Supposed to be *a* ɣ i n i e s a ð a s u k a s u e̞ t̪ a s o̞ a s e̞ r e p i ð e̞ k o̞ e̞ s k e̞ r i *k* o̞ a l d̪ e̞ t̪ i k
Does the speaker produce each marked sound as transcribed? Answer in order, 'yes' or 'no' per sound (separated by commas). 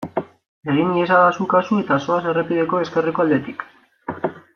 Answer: no, yes